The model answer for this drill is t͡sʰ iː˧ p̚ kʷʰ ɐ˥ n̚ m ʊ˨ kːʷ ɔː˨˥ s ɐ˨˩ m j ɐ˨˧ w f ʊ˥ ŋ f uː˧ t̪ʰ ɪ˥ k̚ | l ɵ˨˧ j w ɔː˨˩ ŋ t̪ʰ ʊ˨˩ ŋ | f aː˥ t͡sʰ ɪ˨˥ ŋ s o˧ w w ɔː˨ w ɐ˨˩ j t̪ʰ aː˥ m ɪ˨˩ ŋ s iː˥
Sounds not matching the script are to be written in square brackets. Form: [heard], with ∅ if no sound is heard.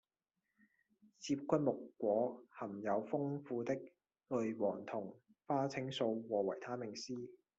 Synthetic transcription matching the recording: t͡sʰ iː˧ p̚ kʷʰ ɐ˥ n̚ m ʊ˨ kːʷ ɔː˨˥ [h] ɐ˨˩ m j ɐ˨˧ w f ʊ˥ ŋ f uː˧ [t̪] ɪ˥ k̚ | l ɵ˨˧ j w ɔː˨˩ ŋ t̪ʰ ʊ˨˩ ŋ | f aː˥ t͡sʰ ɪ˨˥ ŋ s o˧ w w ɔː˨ w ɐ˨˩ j t̪ʰ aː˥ m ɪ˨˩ ŋ s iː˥